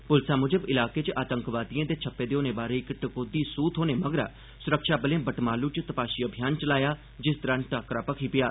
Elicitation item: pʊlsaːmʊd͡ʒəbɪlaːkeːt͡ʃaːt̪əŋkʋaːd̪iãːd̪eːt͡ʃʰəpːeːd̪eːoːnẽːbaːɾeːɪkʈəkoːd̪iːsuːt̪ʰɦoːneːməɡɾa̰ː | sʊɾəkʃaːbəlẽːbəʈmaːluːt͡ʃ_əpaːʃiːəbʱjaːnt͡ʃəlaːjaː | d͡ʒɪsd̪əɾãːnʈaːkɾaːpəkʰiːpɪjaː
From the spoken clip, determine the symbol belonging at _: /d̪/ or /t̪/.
t̪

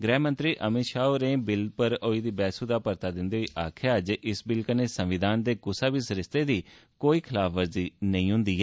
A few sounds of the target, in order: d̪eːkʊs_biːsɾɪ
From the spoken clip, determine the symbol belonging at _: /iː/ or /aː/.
aː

